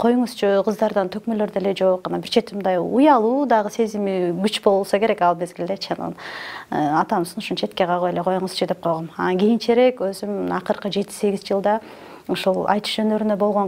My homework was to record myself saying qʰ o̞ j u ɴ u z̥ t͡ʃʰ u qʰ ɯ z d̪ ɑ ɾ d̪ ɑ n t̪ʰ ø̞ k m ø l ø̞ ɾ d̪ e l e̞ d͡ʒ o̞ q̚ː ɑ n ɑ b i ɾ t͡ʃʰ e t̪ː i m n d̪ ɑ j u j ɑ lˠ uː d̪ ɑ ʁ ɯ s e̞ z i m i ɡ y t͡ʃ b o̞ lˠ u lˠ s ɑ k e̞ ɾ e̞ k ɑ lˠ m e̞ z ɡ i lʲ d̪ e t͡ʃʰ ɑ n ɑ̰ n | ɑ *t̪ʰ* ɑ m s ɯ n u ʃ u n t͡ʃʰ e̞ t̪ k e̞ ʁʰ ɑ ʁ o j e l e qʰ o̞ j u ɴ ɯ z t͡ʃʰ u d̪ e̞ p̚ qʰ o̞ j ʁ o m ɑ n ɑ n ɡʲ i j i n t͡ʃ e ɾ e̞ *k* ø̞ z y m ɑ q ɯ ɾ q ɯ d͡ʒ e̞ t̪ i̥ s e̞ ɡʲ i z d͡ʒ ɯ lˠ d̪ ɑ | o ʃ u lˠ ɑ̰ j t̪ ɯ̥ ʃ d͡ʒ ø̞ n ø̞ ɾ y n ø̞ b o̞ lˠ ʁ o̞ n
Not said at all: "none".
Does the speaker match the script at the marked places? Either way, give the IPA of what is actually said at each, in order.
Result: t̪, k

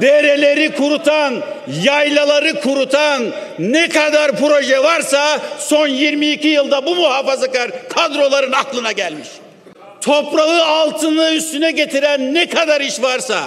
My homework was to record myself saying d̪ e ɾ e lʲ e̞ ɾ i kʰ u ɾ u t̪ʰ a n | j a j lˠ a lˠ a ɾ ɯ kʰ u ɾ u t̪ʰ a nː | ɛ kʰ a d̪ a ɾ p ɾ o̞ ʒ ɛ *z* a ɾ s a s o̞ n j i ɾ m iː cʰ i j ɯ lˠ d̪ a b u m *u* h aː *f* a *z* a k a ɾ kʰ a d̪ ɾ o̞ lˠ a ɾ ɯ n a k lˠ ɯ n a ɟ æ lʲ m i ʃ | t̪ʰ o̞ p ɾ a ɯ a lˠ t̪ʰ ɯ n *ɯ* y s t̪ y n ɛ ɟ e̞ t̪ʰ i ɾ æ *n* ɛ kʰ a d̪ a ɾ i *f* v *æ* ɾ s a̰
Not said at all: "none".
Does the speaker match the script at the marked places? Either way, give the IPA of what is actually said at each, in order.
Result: v, u, f, z, ɯ, nː, ʃ, a

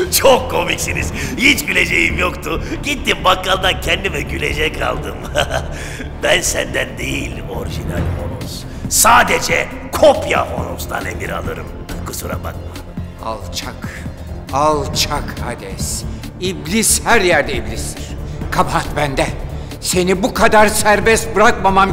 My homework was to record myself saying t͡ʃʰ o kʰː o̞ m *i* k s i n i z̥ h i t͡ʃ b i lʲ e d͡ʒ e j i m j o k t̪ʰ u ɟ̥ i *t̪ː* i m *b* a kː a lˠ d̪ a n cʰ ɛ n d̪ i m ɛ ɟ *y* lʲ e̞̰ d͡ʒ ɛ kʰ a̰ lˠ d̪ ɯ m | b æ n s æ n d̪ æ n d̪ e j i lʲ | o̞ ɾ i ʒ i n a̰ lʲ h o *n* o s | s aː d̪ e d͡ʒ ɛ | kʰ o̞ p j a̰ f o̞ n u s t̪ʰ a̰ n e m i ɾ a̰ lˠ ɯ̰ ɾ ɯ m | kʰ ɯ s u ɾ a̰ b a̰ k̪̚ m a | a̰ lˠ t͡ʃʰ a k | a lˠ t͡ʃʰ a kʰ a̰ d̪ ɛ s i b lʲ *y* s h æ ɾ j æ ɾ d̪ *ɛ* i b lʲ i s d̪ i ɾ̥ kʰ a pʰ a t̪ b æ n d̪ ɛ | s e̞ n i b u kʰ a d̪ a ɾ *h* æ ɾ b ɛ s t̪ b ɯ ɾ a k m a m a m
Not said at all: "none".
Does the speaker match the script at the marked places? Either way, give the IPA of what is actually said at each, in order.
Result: i, t̪ː, b, y, n, i, ɛ, s

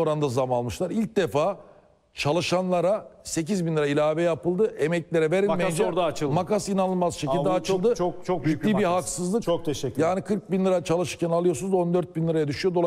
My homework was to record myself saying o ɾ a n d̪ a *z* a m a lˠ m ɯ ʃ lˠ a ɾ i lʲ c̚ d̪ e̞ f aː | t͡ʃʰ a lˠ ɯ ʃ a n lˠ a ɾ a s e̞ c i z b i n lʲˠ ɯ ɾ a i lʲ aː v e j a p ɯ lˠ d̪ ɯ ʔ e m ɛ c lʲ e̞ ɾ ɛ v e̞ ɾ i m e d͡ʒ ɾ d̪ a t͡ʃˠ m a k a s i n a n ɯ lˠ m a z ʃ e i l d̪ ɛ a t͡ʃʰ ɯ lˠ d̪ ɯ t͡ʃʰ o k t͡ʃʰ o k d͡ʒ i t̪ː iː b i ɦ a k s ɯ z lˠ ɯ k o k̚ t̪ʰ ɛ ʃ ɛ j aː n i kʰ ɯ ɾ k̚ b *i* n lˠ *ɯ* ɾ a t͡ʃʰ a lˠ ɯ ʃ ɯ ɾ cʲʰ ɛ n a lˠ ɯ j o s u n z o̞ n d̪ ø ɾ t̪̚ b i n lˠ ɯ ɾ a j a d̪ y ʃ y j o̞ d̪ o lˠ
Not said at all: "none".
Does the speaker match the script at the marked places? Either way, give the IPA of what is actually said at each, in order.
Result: z, i, ɯ

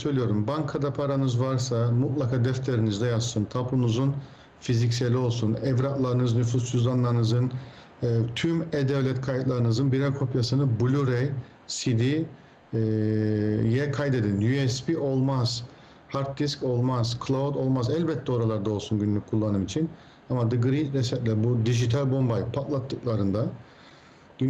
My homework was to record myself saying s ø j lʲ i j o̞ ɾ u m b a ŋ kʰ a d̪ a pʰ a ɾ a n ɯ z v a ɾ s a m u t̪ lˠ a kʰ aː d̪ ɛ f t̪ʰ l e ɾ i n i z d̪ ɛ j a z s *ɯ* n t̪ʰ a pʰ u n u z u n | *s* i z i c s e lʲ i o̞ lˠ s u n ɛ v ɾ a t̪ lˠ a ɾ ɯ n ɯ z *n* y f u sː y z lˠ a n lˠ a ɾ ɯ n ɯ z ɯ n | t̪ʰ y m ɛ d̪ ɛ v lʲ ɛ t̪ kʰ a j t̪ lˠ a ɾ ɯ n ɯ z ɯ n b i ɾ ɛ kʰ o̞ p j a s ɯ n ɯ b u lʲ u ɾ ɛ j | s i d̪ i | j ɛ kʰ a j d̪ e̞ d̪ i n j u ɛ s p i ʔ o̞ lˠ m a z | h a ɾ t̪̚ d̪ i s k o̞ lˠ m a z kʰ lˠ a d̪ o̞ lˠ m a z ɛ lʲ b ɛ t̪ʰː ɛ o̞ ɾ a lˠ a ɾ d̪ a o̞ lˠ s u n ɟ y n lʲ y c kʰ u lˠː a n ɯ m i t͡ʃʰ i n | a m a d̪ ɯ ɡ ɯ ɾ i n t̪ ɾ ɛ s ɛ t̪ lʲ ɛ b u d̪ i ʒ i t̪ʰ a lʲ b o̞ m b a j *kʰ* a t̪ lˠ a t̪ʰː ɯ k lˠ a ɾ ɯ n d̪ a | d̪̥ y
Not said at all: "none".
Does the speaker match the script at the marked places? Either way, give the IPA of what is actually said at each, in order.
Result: ɯ, f, n, pʰ

